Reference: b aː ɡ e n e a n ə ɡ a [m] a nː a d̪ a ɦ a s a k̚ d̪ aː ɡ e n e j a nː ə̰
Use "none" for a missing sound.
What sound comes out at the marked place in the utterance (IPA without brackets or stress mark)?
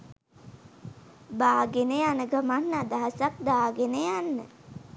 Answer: m